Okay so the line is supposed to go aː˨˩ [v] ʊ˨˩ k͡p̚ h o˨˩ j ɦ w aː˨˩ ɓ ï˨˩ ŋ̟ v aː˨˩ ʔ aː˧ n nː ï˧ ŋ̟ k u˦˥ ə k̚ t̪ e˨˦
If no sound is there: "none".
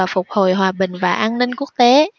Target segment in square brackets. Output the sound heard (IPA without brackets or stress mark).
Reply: f